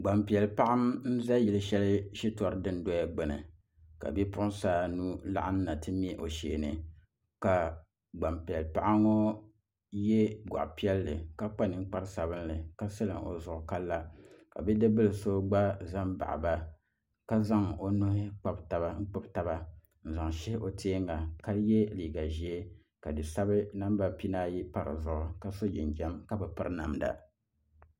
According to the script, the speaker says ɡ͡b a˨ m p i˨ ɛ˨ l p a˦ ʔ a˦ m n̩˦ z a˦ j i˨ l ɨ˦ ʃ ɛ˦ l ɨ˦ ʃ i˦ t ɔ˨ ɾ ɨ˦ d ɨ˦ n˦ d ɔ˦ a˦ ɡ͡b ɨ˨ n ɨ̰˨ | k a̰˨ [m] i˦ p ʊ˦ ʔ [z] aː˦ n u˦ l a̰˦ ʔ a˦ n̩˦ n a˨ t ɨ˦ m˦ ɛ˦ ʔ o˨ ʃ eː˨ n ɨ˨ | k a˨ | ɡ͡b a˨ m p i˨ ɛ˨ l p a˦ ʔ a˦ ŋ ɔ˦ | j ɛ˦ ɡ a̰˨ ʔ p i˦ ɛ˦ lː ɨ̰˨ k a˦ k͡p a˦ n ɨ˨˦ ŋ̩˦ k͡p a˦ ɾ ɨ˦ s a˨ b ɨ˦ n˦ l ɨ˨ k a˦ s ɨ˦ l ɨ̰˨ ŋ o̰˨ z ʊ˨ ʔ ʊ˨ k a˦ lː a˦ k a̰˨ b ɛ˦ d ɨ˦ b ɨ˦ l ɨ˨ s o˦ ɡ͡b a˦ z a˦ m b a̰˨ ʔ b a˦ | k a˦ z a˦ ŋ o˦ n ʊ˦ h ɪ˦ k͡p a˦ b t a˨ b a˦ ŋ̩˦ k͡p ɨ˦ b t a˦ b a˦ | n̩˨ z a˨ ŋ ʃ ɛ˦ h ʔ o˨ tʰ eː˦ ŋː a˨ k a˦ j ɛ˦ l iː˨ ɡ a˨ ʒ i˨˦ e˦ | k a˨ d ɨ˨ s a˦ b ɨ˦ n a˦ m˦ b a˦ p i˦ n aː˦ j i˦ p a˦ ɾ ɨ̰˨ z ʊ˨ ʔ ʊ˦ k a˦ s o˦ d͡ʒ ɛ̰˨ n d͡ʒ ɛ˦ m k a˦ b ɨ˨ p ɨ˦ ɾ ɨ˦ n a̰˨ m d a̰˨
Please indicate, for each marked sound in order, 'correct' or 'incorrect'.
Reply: incorrect, incorrect

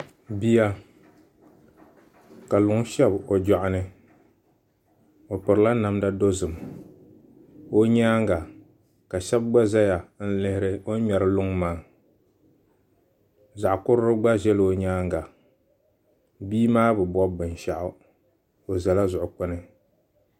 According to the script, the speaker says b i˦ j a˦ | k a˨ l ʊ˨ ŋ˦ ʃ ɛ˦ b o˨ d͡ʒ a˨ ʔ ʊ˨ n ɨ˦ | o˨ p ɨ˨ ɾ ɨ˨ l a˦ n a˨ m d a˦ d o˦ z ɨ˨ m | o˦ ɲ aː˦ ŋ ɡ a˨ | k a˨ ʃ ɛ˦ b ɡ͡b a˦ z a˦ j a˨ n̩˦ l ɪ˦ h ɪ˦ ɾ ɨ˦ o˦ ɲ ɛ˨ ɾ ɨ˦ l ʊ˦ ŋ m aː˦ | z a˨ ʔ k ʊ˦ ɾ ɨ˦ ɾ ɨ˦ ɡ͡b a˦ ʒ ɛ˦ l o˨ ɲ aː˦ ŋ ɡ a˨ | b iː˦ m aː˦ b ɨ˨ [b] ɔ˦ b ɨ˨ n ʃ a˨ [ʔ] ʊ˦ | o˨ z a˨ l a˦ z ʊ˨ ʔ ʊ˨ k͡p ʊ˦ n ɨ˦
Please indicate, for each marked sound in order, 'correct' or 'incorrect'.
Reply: correct, correct

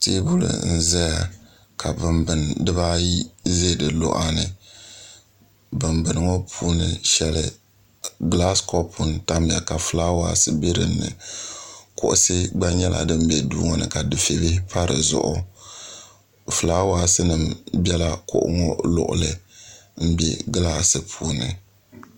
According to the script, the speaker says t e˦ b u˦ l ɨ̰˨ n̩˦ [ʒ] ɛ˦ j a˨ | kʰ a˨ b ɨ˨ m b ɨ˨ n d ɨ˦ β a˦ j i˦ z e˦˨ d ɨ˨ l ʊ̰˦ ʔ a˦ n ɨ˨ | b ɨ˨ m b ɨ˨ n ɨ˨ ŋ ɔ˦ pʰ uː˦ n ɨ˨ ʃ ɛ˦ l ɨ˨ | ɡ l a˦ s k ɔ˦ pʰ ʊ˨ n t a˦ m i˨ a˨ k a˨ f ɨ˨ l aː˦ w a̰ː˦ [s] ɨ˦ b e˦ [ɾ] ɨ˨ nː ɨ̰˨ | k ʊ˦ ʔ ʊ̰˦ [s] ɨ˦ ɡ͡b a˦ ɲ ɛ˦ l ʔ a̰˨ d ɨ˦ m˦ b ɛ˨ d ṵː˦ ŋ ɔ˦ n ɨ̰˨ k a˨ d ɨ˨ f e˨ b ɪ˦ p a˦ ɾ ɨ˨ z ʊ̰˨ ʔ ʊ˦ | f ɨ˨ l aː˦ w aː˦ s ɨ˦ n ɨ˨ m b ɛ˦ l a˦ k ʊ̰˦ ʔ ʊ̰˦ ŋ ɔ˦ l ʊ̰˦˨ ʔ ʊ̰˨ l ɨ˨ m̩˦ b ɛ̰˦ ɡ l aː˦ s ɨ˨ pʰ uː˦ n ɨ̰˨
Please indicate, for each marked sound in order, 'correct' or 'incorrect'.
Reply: incorrect, correct, correct, correct

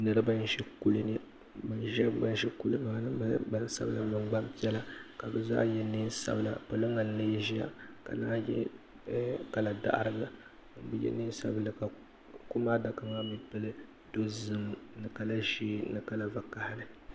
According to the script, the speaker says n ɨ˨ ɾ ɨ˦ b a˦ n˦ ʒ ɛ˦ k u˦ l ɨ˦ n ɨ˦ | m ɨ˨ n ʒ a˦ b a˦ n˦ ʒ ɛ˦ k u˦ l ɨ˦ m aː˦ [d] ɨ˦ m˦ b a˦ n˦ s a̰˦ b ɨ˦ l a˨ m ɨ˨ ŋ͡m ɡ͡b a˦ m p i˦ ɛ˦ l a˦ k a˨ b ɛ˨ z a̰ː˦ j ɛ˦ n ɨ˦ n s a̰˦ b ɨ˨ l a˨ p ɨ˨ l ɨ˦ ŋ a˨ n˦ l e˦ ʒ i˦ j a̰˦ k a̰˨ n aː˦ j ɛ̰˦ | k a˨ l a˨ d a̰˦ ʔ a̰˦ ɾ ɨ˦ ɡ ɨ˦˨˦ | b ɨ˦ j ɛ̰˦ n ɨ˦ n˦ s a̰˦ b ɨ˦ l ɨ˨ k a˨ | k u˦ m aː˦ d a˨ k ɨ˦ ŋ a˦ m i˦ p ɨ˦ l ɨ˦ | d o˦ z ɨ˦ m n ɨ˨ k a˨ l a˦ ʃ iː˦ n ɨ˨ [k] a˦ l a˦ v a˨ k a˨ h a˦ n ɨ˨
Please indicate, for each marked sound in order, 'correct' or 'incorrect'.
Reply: incorrect, correct

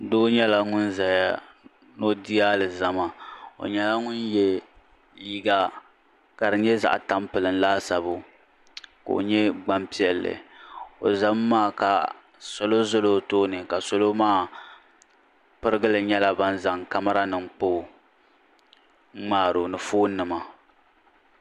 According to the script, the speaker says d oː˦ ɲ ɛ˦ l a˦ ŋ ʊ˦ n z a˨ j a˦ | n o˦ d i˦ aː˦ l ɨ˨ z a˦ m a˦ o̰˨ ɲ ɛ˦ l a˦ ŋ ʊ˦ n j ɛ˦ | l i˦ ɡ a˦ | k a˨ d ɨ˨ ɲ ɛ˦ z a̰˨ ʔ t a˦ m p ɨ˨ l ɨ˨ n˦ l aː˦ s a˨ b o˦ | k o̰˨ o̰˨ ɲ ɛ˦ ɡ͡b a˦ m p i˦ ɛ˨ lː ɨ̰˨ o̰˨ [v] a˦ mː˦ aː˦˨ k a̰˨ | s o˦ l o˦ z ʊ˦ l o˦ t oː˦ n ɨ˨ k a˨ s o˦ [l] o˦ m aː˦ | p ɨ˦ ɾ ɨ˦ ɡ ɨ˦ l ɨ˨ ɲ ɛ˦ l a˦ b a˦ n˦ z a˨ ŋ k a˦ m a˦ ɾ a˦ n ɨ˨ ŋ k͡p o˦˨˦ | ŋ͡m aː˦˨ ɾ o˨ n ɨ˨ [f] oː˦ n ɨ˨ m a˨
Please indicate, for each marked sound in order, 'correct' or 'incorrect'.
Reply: incorrect, correct, correct

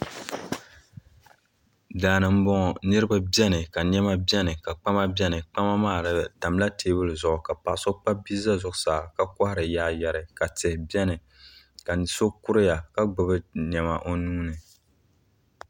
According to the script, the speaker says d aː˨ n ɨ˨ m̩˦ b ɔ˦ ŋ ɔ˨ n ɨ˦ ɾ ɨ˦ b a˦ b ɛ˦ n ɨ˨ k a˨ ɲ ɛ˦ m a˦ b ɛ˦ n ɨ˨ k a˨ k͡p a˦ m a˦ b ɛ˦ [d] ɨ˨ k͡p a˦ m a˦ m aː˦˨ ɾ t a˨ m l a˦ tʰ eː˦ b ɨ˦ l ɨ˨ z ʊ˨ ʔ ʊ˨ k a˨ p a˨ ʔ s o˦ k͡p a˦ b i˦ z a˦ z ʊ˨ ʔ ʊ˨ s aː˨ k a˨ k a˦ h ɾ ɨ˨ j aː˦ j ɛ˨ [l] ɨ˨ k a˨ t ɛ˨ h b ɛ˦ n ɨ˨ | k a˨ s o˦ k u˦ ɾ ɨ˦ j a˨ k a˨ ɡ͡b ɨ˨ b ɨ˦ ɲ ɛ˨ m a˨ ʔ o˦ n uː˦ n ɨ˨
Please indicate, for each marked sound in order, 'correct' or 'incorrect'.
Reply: incorrect, incorrect

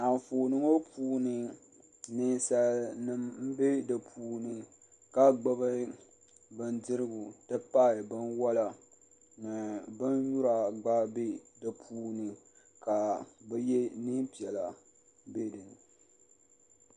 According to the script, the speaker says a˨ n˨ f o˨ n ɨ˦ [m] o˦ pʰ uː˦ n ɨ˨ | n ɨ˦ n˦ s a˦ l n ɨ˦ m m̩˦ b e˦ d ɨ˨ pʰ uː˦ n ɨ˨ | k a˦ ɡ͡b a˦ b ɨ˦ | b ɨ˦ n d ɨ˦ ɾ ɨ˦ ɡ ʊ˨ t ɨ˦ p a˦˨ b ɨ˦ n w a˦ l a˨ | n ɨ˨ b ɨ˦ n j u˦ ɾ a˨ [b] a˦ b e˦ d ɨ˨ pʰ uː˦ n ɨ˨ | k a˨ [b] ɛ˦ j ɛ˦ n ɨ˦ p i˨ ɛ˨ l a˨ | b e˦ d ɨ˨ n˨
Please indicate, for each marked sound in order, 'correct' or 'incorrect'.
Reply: incorrect, incorrect, correct

